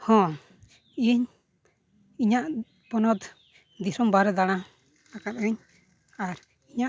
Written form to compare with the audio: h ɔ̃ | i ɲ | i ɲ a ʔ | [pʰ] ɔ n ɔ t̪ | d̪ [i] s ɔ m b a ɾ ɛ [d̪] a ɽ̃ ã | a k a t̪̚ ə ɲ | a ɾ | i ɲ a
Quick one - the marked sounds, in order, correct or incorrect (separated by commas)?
incorrect, correct, correct